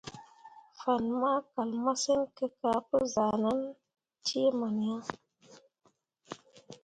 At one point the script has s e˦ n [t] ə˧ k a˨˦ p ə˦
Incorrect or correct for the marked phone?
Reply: incorrect: k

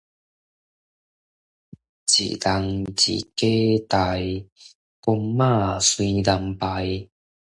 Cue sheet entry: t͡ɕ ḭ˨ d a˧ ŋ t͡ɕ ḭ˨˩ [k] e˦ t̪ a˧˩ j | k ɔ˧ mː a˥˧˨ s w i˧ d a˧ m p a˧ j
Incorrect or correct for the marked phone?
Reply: correct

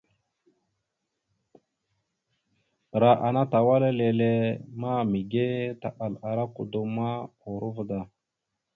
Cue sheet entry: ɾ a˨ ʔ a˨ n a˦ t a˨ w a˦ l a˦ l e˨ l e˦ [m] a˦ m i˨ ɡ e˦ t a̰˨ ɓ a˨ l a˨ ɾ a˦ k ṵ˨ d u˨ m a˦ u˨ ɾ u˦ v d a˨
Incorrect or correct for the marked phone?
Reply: correct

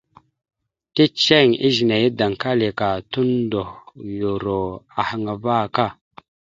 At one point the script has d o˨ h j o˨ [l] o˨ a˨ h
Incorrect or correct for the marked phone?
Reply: incorrect: ɾ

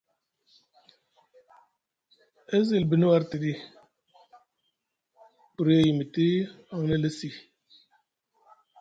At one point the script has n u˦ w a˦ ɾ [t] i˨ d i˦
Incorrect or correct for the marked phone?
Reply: correct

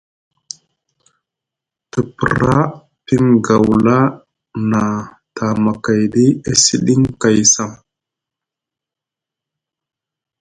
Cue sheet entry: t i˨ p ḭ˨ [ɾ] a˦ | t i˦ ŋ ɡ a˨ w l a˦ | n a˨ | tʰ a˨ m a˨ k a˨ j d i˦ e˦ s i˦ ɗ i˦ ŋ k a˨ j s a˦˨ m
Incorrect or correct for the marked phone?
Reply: correct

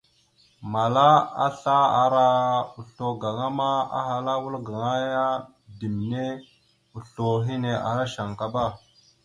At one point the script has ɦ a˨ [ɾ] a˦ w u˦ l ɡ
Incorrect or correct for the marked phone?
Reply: incorrect: l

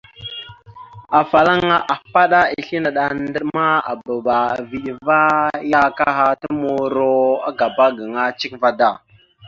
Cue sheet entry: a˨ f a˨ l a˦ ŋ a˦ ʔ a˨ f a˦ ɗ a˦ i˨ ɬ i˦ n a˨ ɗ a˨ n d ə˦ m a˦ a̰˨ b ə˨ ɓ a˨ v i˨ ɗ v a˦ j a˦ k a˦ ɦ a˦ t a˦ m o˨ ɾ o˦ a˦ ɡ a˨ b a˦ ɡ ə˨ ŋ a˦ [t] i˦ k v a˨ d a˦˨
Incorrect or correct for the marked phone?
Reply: incorrect: t͡ʃ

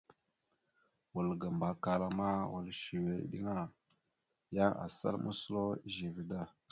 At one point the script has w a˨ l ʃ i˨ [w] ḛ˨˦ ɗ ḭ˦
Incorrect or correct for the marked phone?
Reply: correct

